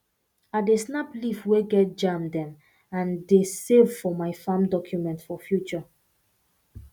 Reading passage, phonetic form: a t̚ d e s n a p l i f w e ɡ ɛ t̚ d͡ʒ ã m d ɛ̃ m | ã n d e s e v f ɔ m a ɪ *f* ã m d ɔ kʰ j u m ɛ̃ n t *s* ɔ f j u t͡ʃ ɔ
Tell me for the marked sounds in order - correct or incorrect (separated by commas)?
correct, incorrect